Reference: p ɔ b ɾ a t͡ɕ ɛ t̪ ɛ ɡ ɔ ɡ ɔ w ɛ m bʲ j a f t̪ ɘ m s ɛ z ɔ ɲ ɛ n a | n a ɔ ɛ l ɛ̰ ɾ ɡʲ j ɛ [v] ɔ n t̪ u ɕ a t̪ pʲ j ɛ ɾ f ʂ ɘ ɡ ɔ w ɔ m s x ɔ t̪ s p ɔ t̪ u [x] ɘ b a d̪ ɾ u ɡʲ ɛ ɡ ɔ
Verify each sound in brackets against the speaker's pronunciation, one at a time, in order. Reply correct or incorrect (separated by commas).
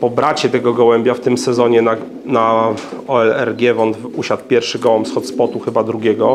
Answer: correct, correct